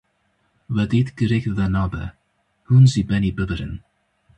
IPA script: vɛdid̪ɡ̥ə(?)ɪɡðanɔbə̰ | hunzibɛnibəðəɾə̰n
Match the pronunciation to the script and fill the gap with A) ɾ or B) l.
A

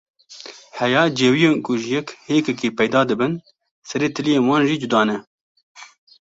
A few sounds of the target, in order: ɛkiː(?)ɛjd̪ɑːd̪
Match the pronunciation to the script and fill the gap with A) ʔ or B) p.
B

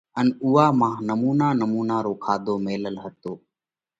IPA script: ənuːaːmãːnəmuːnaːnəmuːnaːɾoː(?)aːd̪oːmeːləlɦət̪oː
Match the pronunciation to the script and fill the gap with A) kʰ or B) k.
A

